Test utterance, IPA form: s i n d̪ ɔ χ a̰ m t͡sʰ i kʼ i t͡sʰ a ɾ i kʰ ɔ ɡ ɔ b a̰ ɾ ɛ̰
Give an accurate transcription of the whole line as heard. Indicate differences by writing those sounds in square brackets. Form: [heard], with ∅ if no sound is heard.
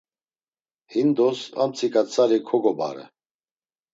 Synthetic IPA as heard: [h] i n d̪ ɔ [s] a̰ m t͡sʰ i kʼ [a] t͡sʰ a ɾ i kʰ ɔ ɡ ɔ b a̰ ɾ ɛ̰

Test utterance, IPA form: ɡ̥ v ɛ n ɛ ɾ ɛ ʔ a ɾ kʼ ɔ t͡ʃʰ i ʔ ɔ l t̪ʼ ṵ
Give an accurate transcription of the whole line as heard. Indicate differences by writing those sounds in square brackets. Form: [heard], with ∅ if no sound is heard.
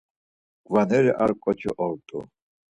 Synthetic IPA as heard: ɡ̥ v [a] n ɛ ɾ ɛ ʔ a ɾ kʼ ɔ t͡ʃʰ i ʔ ɔ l t̪ʼ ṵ

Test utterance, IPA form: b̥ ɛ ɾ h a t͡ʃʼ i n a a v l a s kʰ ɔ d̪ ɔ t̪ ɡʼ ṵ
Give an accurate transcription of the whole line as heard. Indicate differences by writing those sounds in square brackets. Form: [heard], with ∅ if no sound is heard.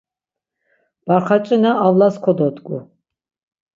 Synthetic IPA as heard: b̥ [a] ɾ [χ] a t͡ʃʼ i n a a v l a s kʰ ɔ d̪ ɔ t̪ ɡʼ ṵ

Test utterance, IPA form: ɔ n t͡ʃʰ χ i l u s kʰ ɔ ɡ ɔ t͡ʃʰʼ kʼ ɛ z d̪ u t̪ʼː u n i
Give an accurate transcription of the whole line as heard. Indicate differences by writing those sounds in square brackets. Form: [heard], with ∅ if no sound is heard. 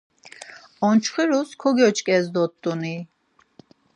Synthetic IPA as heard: ɔ n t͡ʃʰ χ i [ɾ] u s kʰ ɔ ɡ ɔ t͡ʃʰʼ kʼ ɛ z d̪ [ɔ] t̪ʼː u n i

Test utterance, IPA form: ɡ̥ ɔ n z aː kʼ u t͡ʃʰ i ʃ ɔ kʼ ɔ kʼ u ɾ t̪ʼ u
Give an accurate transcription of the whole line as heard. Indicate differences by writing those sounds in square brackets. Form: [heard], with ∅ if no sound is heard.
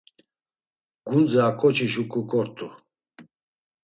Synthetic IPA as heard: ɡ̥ [u] n [d͡z] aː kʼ [ɔ] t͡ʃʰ i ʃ [u] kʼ [u] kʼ [ɔ] ɾ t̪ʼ u

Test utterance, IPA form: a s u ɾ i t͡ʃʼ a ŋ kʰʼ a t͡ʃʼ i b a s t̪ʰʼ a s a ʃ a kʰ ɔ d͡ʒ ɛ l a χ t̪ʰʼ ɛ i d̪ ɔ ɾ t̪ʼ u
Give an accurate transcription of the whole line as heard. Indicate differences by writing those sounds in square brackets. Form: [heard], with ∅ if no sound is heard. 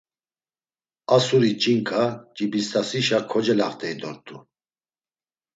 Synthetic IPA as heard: a s u ɾ i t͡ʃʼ [i] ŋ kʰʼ a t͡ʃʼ i b [i] s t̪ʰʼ a s [i] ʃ a kʰ ɔ d͡ʒ ɛ l a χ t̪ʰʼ ɛ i d̪ ɔ ɾ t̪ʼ u

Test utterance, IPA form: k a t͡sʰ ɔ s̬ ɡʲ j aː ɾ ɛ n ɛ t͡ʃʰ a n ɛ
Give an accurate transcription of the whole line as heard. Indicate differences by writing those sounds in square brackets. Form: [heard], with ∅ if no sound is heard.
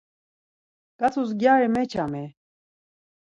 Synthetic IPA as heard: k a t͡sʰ [u] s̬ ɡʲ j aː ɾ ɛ [m] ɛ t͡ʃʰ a [m] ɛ

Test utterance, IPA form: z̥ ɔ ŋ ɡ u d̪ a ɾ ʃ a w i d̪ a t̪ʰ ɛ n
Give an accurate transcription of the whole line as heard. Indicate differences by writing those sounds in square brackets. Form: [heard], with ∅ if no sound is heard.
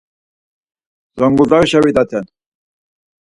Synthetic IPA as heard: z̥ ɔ ŋ ɡ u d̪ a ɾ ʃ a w i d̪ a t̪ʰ ɛ n

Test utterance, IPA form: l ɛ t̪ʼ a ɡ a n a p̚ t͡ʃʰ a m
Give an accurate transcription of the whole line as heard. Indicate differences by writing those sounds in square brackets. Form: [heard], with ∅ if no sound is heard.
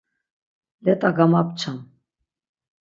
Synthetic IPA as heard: l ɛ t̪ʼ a ɡ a [m] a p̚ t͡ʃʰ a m

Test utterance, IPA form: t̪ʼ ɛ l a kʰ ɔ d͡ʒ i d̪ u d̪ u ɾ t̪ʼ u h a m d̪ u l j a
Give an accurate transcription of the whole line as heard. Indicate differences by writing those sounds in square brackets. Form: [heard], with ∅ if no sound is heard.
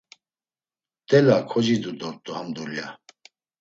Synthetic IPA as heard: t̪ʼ ɛ l a kʰ ɔ d͡ʒ i d̪ u d̪ [ɔ] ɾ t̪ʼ u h a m d̪ u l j a

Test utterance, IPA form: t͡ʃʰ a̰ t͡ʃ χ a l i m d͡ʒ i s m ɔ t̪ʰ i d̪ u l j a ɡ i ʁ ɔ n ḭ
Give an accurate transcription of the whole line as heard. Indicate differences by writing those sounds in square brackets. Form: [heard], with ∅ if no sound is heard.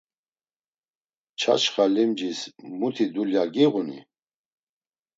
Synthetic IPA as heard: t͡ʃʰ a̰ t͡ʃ χ a l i m d͡ʒ i s m [u] t̪ʰ i d̪ u l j a ɡ i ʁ [u] n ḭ

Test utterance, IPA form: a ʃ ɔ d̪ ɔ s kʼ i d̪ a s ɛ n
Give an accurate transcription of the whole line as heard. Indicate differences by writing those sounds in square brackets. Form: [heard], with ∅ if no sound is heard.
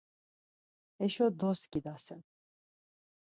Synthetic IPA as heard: [ɛ] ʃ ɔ d̪ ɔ s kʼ i d̪ a s ɛ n

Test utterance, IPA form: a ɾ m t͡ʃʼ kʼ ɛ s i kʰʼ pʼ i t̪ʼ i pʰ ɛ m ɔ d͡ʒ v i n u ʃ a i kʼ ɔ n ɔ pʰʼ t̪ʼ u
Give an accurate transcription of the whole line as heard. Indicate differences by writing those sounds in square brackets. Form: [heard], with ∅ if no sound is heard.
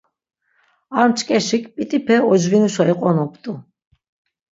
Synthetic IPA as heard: a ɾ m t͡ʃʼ kʼ ɛ [ʃ] i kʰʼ pʼ i t̪ʼ i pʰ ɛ [∅] ɔ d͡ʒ v i n u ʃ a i [qʼ] ɔ n ɔ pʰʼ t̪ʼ u

